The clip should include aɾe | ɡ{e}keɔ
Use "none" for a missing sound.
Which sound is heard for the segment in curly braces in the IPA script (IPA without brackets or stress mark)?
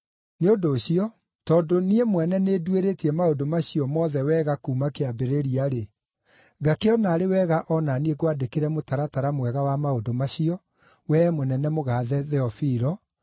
a